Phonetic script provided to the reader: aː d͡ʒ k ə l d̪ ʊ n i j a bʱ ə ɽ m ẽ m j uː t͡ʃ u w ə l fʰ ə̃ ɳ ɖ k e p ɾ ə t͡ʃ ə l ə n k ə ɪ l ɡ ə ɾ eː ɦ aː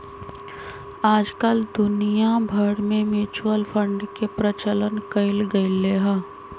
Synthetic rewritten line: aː d͡ʒ k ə l d̪ ʊ n i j a bʱ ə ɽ m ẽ m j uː t͡ʃ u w ə l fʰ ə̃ ɳ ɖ k e p ɾ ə t͡ʃ ə l ə n k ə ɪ l ɡ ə l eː ɦ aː